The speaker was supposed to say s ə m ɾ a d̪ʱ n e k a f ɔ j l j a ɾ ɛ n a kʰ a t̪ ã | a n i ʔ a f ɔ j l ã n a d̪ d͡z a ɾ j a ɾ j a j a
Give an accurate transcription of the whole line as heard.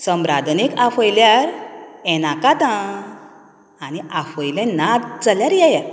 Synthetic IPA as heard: s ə m ɾ a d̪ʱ n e k a f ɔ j l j a ɾ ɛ n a k a t̪ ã | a n i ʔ a f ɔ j l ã n a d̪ d͡z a l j a ɾ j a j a